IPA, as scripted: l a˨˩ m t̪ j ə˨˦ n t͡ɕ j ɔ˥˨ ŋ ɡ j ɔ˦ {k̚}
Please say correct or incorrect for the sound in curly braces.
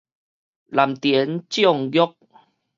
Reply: correct